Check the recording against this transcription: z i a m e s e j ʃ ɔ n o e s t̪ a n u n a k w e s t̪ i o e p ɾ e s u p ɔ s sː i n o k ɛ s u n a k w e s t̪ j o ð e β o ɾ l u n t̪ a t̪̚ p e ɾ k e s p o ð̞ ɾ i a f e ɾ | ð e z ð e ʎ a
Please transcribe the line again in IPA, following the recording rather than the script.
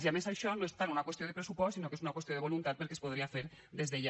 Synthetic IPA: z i a m e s a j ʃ ɔ n o e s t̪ a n u n a k w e s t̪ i o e p ɾ e s u p ɔ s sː i n o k e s u n a k w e s t̪ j o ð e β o l u n t̪ a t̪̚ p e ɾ k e s p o ð̞ ɾ i a f e ɾ | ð e z ð e ʎ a